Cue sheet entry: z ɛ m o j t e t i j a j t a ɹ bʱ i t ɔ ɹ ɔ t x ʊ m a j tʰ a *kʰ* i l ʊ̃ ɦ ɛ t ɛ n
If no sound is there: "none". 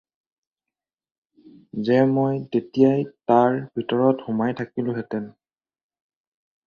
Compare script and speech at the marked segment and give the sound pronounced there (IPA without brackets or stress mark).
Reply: k